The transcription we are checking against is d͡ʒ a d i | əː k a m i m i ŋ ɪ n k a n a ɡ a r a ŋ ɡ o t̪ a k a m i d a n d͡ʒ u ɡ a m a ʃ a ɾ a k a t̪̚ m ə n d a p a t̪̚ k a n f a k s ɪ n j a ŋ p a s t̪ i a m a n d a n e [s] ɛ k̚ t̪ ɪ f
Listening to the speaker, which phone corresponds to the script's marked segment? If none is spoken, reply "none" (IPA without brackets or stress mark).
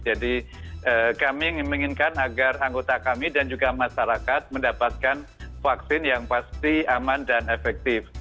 f